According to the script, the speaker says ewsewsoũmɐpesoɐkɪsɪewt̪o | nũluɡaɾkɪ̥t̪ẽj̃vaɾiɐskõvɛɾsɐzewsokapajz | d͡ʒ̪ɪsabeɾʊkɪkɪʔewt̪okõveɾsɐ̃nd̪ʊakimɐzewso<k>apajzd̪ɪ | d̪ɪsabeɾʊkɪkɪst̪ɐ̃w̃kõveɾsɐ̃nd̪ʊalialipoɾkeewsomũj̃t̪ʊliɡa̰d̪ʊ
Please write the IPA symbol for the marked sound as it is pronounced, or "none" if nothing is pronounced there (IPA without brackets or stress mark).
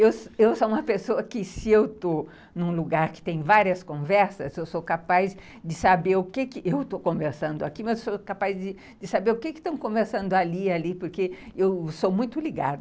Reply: k